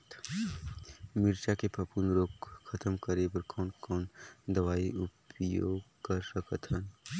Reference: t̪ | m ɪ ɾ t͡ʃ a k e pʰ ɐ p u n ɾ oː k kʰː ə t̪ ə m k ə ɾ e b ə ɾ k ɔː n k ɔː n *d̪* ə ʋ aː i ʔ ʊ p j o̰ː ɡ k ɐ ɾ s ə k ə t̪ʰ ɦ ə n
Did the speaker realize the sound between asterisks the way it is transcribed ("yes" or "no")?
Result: yes